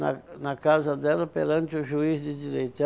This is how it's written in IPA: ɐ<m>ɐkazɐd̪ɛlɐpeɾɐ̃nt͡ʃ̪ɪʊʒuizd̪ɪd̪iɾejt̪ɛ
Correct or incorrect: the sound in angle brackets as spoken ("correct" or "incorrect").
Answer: incorrect